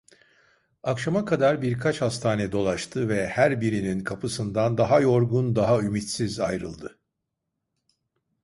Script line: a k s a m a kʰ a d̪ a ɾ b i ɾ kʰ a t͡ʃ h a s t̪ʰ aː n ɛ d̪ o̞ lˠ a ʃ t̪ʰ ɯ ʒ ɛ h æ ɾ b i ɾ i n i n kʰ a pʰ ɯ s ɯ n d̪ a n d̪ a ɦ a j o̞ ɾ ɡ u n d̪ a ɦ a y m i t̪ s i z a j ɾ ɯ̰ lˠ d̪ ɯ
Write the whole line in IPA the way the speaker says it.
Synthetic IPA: a k ʃ a m a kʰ a d̪ a ɾ b i ɾ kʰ a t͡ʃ h a s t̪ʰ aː n ɛ d̪ o̞ lˠ a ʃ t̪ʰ ɯ v ɛ h æ ɾ b i ɾ i n i n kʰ a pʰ ɯ s ɯ n d̪ a n d̪ a ɦ a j o̞ ɾ ɡ u n d̪ a ɦ a y m i t̪ s i z a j ɾ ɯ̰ lˠ d̪ ɯ